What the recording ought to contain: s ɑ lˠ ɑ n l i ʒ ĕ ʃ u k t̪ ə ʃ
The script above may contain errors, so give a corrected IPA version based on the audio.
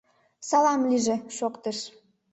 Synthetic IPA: s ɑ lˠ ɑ m l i ʒ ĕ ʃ o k t̪ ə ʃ